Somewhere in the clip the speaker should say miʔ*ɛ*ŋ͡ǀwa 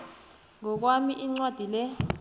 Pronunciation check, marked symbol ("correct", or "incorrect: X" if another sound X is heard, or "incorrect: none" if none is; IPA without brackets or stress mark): incorrect: i